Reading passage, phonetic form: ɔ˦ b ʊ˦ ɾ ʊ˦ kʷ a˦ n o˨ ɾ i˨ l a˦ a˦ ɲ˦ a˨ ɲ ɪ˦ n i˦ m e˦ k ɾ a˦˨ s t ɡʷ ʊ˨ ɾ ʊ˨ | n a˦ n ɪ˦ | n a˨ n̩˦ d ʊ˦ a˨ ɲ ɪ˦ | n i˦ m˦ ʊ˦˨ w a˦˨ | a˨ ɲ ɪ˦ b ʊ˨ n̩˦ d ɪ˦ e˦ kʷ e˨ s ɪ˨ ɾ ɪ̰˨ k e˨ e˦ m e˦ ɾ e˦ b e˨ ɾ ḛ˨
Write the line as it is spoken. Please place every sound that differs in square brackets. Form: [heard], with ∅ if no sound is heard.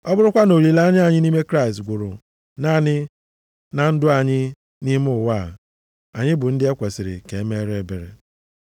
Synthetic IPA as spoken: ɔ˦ b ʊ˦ ɾ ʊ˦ kʷ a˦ n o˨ ɾ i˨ l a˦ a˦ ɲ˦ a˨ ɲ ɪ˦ n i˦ m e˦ k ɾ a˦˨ s t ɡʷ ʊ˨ ɾ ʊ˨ | n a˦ n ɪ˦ | n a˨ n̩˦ d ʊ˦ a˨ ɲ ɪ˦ | n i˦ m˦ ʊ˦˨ w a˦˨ | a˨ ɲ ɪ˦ b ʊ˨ n̩˦ d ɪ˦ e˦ kʷ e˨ s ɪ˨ ɾ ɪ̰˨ k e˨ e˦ m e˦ ɾ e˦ b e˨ ɾ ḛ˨